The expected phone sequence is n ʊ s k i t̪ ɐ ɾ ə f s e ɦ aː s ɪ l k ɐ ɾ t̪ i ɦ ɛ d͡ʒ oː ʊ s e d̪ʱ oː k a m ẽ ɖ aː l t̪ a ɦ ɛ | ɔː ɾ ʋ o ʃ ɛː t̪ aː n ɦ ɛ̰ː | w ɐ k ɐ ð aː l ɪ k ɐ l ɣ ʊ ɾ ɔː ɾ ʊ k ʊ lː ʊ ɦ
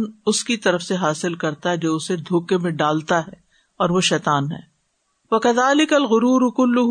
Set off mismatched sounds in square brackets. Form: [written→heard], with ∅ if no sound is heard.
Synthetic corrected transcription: n ʊ s k i t̪ ɐ ɾ ə f s e ɦ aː s ɪ l k ɐ ɾ t̪ [i→a] ɦ ɛ d͡ʒ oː ʊ s e d̪ʱ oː k [a→e] m ẽ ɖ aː l t̪ a ɦ ɛ | ɔː ɾ ʋ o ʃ ɛː t̪ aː n ɦ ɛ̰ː | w ɐ k ɐ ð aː l ɪ k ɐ l ɣ ʊ ɾ [ɔː→uː] ɾ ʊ k ʊ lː ʊ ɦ